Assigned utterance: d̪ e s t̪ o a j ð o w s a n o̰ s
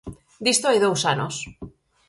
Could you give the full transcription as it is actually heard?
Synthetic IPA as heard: d̪ i s t̪ o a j ð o w s a n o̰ s